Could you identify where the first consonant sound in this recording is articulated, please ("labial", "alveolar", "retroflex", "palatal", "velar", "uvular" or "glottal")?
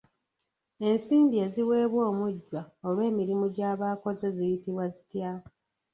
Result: alveolar